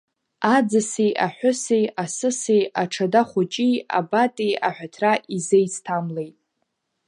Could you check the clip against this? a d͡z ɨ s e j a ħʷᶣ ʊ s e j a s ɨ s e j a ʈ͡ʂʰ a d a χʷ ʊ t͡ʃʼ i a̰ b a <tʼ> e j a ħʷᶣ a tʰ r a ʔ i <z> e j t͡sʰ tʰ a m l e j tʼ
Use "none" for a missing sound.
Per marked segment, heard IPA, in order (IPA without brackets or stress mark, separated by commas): tʼ, z